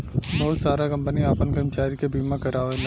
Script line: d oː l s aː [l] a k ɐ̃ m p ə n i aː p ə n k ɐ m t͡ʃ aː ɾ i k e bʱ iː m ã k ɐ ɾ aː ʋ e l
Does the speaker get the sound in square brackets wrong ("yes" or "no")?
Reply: yes